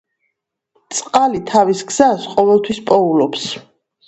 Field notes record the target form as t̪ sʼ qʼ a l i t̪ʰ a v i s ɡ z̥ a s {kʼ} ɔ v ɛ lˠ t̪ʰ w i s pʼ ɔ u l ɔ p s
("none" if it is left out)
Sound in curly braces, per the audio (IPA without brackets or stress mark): qʼ